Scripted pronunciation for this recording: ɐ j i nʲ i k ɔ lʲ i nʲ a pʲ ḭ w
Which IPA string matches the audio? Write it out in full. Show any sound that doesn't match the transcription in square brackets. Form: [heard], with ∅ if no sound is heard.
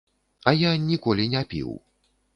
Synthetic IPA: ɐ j [a] nʲ i k ɔ lʲ i nʲ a pʲ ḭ w